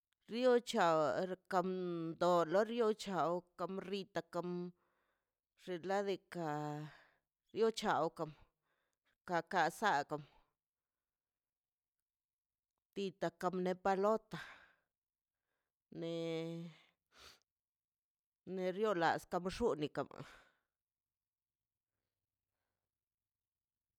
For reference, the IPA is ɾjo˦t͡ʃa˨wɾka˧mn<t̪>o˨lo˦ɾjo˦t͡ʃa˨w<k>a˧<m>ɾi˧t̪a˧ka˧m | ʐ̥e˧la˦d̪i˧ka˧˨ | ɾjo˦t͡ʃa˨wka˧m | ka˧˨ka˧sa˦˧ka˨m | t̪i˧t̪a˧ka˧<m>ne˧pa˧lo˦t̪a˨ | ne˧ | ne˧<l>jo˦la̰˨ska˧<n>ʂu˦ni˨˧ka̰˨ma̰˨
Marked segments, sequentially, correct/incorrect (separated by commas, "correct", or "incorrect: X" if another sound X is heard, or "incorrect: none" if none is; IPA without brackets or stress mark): incorrect: d̪, correct, correct, correct, incorrect: ɾ, incorrect: m